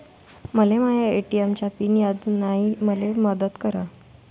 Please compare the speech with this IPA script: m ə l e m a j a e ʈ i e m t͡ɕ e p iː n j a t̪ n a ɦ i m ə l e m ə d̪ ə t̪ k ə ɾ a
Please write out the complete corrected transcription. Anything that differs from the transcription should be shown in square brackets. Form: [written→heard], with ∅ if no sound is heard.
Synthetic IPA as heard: m ə l e m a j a e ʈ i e m t͡ɕ [e→a] p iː n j a [t̪→d̪] n a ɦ i m ə l e m ə d̪ ə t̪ k ə ɾ a